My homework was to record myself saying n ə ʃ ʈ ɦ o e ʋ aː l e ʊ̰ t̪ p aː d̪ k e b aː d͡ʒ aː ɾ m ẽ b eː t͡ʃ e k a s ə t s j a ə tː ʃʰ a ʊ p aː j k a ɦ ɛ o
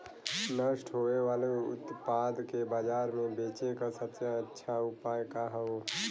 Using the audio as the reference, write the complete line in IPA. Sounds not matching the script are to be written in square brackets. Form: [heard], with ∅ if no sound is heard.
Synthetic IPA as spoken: n ə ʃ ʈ ɦ o e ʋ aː l e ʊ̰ t̪ p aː d̪ k e b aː d͡ʒ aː ɾ m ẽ b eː t͡ʃ e k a s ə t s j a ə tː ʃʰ a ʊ p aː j k a ɦ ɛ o